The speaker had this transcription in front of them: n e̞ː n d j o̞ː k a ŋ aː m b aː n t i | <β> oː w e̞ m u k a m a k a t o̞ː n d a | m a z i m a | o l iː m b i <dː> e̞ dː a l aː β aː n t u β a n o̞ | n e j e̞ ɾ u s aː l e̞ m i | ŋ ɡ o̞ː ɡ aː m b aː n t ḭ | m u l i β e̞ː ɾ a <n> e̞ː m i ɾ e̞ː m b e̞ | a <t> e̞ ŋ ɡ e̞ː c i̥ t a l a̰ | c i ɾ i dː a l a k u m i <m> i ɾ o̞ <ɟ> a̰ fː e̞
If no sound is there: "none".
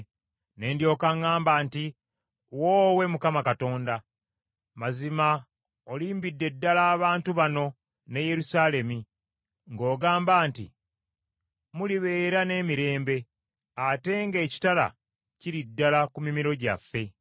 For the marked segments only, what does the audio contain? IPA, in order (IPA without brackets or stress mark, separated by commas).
w, dː, n, t, m, ɟ